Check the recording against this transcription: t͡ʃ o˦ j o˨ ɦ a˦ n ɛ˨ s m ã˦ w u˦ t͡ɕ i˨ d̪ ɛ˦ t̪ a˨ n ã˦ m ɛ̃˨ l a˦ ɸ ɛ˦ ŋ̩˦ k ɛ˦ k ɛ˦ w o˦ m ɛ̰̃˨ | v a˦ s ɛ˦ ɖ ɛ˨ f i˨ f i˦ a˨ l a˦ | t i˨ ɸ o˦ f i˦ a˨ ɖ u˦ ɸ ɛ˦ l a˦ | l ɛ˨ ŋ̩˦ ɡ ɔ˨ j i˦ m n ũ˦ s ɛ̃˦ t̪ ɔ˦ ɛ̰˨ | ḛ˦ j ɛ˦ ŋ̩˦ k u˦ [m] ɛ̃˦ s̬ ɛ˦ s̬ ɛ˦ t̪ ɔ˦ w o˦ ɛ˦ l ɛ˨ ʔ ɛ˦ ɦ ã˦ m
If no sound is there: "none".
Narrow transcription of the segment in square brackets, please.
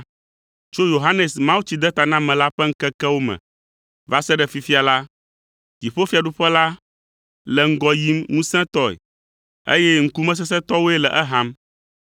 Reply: m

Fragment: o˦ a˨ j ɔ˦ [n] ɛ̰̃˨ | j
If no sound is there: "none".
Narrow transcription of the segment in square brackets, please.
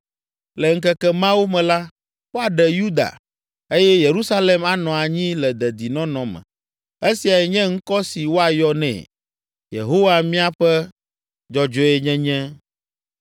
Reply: n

